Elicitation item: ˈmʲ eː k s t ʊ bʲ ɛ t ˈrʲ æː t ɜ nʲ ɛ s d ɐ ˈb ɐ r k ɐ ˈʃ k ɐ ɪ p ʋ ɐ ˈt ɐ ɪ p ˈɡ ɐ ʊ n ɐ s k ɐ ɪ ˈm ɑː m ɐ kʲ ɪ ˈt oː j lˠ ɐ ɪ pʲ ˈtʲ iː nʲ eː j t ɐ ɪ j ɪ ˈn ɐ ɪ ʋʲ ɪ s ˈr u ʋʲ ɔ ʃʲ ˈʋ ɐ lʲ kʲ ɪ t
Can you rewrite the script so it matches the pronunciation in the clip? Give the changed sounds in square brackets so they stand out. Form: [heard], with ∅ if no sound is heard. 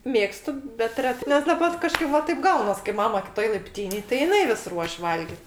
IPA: ˈmʲ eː k s t ʊ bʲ ɛ t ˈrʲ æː t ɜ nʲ ɛ s d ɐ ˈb ɐ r k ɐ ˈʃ k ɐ ɪ p ʋ ɐ ˈt ɐ ɪ p ˈɡ ɐ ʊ n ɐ s k ɐ ɪ ˈm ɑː m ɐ kʲ ɪ ˈt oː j lˠ ɐ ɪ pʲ ˈtʲ iː nʲ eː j t ɐ ɪ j ɪ ˈn ɐ ɪ ʋʲ ɪ s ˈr u [∅] ɔ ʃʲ ˈʋ ɐ lʲ [ɡʲ] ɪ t